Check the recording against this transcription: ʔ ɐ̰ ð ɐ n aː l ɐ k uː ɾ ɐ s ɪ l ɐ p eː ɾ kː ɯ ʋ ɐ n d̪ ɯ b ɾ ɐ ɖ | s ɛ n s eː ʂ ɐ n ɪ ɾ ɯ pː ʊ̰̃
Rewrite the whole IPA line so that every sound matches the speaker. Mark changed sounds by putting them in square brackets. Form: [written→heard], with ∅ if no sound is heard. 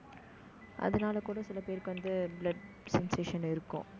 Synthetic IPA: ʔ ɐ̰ ð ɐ n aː l ɐ k uː [ɾ→ɽ] ɐ s ɪ l ɐ p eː ɾ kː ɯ ʋ ɐ n d̪ ɯ b [ɾ→l] ɐ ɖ | s ɛ n s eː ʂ ɐ n ɪ ɾ ɯ [pː→kː] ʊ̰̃

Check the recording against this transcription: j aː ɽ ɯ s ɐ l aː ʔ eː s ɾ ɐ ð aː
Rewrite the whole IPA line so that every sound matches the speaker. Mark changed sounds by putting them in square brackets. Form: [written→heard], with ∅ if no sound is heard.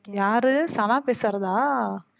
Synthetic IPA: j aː [ɽ→ɾ] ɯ s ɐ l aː [ʔ→p] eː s ɾ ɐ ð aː

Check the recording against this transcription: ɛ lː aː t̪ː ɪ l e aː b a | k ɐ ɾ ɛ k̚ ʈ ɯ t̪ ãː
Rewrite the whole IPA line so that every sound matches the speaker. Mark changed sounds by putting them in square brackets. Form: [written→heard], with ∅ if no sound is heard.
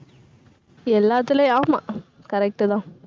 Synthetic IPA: ɛ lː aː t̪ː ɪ l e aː [b→m] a | k ɐ ɾ ɛ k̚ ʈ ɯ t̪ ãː

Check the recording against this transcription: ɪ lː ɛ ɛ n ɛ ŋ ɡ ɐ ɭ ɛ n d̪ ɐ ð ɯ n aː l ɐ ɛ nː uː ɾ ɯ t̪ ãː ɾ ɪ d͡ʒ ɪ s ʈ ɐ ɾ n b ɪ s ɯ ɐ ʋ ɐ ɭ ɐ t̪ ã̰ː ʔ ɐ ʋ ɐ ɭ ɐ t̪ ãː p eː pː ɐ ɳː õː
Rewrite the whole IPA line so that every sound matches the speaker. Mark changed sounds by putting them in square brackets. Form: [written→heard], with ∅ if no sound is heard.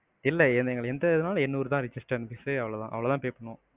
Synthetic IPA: ɪ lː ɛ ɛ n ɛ ŋ ɡ ɐ ɭ ɛ n d̪ ɐ ð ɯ n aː l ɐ ɛ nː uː ɾ ɯ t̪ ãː ɾ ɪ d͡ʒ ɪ s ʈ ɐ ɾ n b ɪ s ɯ ɐ ʋ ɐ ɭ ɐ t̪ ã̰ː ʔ ɐ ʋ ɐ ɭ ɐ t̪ ãː p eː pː ɐ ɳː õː

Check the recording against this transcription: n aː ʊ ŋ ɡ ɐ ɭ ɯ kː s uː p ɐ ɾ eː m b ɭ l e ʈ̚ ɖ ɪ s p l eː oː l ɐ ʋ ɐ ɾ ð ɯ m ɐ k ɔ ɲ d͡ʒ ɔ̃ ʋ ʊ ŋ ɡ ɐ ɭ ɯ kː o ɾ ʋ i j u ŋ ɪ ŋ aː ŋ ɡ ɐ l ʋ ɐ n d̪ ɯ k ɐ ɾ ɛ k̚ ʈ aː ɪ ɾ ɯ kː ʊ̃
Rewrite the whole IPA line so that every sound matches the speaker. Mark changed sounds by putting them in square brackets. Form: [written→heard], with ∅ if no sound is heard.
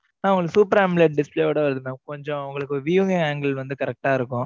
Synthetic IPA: n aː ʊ ŋ ɡ ɐ ɭ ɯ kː s uː p ɐ ɾ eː m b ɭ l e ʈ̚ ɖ ɪ s p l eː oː [l→ɽ] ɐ ʋ ɐ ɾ ð ɯ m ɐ k ɔ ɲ d͡ʒ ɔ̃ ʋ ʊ ŋ ɡ ɐ ɭ ɯ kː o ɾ ʋ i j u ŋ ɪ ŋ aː ŋ ɡ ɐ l ʋ ɐ n d̪ ɯ k ɐ ɾ ɛ k̚ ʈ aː ɪ ɾ ɯ kː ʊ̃

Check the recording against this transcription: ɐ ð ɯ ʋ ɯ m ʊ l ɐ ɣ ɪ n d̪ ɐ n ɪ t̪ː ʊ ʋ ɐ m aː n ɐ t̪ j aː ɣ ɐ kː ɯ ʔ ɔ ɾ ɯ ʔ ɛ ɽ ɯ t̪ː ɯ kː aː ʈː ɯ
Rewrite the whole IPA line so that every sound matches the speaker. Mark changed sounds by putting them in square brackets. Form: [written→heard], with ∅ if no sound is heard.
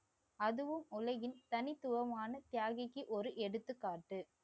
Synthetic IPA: ɐ ð ɯ ʋ ɯ m ʊ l ɐ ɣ ɪ n [d̪→t̪] ɐ n ɪ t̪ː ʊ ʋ ɐ m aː n ɐ t̪ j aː ɣ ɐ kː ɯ ʔ ɔ ɾ ɯ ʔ ɛ ɽ ɯ t̪ː ɯ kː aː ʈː ɯ

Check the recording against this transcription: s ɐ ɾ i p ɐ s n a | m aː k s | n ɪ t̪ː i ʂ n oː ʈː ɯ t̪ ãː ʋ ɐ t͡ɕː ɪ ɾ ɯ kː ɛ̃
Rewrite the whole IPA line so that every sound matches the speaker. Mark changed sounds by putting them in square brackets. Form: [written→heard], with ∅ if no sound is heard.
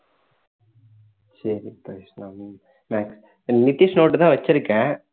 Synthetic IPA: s ɐ ɾ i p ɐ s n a | m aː k s | n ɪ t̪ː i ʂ n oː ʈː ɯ t̪ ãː ʋ ɐ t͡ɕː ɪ ɾ ɯ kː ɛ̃

